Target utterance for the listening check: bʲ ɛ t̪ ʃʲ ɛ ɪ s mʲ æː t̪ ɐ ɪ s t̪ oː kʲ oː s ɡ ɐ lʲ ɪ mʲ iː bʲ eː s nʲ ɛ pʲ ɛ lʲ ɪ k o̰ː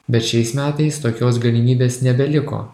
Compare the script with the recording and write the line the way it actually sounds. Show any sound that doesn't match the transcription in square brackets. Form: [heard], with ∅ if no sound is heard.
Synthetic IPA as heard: bʲ ɛ t̪ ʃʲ ɛ ɪ s mʲ æː t̪ ɐ ɪ s t̪ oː kʲ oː s ɡ ɐ lʲ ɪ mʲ iː bʲ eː s nʲ ɛ [bʲ] ɛ lʲ ɪ k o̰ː